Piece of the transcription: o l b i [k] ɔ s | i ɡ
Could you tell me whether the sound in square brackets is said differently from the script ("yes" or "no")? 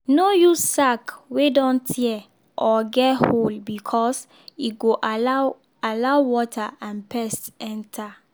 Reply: yes